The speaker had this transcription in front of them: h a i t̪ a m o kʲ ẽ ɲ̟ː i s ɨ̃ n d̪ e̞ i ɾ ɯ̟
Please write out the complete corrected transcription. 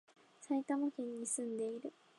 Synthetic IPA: s a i t̪ a m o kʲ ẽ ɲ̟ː i s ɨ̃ n d̪ e̞ i ɾ ɯ̟